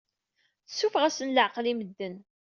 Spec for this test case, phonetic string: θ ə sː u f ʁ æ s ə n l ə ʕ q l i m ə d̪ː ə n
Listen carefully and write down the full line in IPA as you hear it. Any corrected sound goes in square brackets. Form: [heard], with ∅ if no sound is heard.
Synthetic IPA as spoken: θ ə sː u f ʁ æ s ə n l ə ʕ q l i m ə d̪ː ə n